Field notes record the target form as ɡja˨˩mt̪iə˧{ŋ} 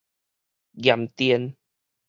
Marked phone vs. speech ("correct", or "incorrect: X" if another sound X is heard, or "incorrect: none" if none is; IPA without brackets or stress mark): incorrect: n